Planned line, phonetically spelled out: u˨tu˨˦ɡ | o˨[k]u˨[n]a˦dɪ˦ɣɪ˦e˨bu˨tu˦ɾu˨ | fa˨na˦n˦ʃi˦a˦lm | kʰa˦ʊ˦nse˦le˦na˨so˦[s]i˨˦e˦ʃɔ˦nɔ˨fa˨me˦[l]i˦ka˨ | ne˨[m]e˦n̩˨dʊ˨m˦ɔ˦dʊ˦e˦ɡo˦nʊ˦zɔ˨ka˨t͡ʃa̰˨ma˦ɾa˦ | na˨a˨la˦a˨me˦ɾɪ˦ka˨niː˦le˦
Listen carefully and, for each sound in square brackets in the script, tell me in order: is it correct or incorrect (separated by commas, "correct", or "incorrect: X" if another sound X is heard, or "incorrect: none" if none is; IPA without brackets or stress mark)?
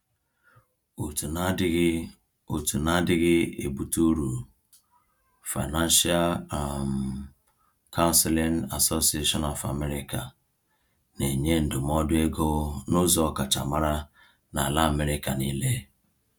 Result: incorrect: t, correct, correct, incorrect: ɾ, incorrect: ɲ